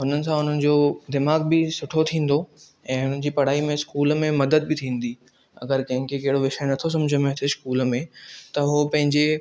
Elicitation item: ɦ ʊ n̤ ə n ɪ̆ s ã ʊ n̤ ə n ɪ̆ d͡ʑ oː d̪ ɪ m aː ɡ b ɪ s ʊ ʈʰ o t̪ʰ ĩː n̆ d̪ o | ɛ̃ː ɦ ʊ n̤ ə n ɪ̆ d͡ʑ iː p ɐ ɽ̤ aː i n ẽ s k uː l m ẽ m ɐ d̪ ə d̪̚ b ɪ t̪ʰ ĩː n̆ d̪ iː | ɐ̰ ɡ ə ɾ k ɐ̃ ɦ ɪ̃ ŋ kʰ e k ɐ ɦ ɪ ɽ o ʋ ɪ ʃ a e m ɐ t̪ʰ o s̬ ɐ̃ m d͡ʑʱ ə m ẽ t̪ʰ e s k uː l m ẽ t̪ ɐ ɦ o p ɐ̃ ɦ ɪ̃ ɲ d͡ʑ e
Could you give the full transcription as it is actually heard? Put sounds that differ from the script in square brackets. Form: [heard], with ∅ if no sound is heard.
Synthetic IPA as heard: ɦ ʊ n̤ ə n ɪ̆ s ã ʊ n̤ ə n ɪ̆ d͡ʑ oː d̪ ɪ m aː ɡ b ɪ s ʊ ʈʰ o t̪ʰ ĩː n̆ d̪ o | ɛ̃ː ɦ ʊ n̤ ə n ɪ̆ d͡ʑ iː p ɐ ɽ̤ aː i [m] ẽ s k uː l m ẽ m ɐ d̪ ə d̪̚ b ɪ t̪ʰ ĩː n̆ d̪ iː | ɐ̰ ɡ ə ɾ k ɐ̃ ɦ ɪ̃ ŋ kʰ e k ɐ ɦ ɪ ɽ o ʋ ɪ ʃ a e [n] ɐ t̪ʰ o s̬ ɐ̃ m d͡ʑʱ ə m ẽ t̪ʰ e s k uː l m ẽ t̪ ɐ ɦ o p ɐ̃ ɦ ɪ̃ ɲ d͡ʑ e